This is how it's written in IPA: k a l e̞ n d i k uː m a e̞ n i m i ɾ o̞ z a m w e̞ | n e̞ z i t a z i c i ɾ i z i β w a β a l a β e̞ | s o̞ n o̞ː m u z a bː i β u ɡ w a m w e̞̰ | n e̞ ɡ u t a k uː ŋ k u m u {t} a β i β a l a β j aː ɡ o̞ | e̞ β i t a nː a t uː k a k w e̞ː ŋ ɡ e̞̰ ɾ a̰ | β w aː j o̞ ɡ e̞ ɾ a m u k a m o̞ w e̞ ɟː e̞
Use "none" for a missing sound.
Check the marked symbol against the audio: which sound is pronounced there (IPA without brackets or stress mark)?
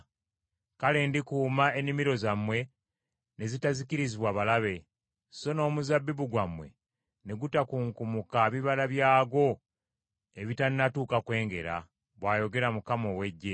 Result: k